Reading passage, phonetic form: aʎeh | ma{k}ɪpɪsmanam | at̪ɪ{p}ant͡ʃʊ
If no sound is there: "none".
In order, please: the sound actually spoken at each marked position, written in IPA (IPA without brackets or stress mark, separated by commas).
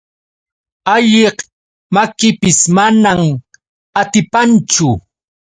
k, p